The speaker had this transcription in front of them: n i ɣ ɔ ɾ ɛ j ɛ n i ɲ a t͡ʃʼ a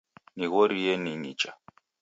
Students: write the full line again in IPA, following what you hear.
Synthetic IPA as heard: n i ɣ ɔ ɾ i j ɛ n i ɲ i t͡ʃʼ a